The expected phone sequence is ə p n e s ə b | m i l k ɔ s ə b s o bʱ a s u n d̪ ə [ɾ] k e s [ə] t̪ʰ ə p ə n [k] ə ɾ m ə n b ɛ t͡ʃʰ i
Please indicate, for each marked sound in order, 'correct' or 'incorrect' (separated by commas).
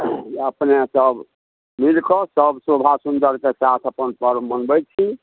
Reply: correct, incorrect, incorrect